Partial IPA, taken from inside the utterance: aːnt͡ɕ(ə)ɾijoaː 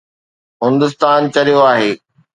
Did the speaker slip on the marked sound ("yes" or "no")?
yes